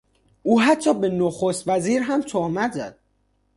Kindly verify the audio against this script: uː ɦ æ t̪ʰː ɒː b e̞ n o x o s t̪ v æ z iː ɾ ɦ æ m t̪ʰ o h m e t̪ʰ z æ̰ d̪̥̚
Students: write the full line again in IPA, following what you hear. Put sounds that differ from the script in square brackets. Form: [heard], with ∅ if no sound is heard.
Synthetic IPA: uː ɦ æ t̪ʰː ɒː b e̞ n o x o s t̪ v æ z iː ɾ ɦ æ m t̪ʰ o h m [æ] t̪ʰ z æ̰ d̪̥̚